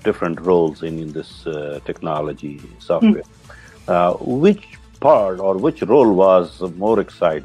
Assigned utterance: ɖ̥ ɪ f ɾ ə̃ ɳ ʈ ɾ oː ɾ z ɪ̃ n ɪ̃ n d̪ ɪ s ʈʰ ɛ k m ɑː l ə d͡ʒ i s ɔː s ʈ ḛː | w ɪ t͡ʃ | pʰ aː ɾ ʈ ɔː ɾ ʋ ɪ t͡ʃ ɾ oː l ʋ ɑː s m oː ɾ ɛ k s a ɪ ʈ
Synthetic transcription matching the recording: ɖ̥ ɪ f ɾ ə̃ ɳ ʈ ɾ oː l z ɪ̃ n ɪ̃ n d̪ ɪ s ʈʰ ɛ k n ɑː l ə d͡ʒ i s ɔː f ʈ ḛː | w ɪ t͡ʃ | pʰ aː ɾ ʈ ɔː ɾ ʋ ɪ t͡ʃ ɾ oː l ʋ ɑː z m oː ɾ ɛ k s a ɪ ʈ